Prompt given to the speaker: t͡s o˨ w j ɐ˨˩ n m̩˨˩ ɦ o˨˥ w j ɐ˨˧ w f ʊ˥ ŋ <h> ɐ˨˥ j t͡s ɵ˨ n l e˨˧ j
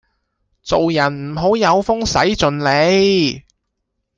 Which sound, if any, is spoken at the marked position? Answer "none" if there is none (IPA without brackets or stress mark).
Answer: s